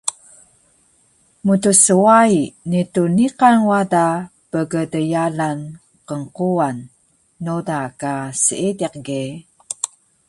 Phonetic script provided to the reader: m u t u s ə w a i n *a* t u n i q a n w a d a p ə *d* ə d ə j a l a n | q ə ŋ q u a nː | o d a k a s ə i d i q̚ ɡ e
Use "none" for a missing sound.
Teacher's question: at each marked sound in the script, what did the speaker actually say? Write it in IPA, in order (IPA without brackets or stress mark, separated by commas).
i, ɡ